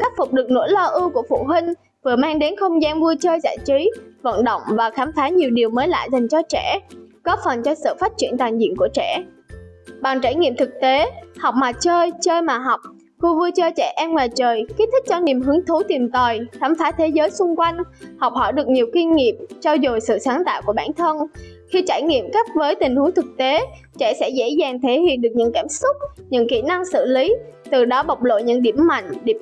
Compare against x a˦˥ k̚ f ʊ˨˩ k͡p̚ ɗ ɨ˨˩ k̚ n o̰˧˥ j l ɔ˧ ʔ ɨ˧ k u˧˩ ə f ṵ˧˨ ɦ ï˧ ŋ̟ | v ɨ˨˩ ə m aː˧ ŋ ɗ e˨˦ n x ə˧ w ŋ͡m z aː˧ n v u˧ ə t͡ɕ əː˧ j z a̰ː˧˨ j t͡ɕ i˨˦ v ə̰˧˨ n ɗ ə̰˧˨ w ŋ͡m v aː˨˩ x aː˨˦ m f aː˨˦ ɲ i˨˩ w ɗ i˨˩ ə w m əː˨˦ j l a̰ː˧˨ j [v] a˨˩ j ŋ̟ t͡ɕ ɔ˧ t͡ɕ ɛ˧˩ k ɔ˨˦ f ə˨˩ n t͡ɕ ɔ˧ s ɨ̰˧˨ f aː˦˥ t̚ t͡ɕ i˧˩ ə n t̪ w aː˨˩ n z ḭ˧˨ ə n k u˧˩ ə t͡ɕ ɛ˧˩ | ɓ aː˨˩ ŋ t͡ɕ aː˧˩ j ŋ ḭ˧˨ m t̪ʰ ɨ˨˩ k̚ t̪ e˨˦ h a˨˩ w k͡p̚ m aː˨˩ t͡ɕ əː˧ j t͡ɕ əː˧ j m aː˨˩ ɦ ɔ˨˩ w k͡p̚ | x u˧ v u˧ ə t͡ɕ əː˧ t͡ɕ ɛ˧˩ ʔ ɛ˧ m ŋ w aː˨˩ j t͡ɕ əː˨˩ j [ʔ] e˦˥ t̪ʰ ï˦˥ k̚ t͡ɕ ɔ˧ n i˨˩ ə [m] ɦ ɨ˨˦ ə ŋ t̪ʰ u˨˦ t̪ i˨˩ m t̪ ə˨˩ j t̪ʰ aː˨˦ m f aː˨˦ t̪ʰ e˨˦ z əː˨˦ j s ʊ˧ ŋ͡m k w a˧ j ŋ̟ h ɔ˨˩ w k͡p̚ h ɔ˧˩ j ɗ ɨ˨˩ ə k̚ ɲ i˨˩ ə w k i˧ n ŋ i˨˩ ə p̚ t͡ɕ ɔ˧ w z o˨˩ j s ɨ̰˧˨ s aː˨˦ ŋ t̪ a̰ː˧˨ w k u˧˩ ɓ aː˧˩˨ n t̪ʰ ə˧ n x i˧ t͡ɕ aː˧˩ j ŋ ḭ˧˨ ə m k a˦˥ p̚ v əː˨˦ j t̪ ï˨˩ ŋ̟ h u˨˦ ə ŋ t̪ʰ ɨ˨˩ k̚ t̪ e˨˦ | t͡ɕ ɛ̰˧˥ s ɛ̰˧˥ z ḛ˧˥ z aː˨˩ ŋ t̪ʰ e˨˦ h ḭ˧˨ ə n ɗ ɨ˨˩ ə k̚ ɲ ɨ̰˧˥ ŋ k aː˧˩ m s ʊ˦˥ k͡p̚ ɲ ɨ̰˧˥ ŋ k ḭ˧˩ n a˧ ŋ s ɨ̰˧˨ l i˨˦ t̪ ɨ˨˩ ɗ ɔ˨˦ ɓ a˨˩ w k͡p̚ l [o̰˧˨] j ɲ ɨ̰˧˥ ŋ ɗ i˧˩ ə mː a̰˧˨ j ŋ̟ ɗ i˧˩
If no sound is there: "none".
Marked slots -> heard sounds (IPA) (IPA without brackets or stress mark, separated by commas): z, k, m, o̰˧˨